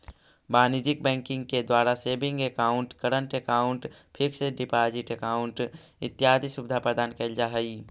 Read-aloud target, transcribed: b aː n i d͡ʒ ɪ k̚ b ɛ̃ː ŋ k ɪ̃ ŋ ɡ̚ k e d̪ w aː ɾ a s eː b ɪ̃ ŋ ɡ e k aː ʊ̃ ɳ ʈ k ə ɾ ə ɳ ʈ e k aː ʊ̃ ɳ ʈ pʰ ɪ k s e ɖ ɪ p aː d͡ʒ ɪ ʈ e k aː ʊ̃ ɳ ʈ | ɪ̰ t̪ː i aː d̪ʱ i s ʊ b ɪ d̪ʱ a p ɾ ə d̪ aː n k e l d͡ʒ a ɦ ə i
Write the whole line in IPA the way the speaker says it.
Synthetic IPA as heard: b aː n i d͡ʒ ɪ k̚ b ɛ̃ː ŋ k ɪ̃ ŋ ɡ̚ k e d̪ w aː ɾ a s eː b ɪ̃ ŋ ɡ e k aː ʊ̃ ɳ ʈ k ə ɾ ə ɳ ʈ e k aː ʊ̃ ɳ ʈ pʰ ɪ k s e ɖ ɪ p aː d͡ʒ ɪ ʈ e k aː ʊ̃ ɳ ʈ | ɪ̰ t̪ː j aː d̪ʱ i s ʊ b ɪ d̪ʱ a p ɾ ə d̪ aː n k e l d͡ʒ a ɦ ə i